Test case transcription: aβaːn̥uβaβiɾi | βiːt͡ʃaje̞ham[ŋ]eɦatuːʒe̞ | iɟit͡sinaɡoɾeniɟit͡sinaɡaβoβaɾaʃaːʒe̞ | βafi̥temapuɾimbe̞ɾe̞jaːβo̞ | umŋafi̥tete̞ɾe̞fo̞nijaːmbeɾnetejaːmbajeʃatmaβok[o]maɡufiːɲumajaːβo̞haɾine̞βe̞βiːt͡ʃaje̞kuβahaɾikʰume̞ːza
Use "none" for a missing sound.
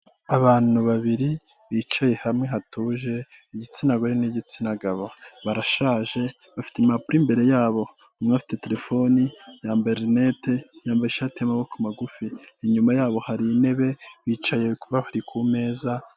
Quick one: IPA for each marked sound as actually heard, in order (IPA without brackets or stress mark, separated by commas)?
ŋ, u